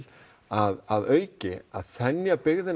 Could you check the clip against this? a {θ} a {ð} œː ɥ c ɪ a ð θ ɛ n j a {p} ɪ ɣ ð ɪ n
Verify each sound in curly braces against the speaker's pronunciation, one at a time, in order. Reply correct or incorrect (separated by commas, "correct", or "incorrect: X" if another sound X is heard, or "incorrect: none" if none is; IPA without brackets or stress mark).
incorrect: ð, correct, correct